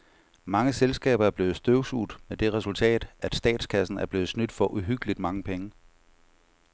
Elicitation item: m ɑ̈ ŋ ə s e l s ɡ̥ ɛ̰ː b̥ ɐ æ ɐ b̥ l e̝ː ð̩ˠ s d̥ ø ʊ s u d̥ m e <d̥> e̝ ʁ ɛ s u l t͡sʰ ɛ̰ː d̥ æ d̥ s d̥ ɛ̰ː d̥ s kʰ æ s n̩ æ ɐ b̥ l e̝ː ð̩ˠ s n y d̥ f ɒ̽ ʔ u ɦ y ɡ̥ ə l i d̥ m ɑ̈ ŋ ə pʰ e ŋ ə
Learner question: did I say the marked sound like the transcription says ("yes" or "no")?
yes